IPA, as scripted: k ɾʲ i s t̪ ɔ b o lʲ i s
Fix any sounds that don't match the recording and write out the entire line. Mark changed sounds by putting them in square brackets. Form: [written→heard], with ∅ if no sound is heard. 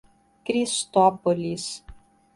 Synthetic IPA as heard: k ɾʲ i s t̪ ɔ [b→p] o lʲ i s